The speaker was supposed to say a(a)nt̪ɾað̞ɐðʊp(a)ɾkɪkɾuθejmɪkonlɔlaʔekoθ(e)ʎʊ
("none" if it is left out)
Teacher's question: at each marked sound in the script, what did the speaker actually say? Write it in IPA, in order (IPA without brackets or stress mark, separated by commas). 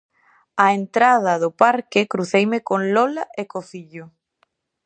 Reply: e, a, i